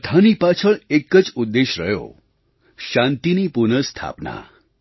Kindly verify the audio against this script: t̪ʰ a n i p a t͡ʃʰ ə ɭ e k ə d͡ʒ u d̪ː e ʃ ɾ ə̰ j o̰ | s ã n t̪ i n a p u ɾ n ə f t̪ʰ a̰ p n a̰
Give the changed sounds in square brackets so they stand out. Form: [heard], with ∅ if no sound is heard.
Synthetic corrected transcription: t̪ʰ a n i p a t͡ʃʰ ə ɭ e k ə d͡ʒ u d̪ː e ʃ ɾ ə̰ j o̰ | [ʃ] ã n t̪ i n [i] p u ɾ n ə [s] t̪ʰ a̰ p n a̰